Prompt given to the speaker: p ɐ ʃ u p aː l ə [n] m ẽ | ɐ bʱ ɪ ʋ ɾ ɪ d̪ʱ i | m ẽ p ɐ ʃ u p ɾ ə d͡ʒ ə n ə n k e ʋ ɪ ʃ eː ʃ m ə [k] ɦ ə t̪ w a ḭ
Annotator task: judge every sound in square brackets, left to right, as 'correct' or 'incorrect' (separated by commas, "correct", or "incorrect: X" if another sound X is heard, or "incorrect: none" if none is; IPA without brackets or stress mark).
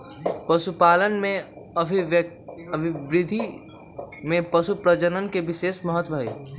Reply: correct, incorrect: none